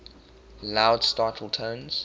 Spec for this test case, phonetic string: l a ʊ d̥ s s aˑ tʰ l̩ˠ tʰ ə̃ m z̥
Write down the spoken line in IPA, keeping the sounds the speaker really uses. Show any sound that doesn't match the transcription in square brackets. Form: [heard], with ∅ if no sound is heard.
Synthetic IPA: l a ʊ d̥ s [t] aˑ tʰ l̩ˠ tʰ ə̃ [n] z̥